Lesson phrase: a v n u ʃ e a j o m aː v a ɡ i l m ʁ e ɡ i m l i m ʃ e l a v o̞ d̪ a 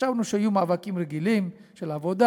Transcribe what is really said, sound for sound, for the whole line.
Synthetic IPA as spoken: a v n u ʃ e a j u m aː v a k i m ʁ e ɡ i l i m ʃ e l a v o̞ d̪ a